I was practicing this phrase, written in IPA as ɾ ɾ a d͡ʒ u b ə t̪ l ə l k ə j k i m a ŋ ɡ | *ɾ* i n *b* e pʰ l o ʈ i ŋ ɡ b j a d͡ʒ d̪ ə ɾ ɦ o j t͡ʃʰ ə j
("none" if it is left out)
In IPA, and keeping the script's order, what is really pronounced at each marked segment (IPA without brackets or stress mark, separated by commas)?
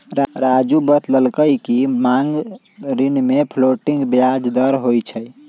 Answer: ɾ, m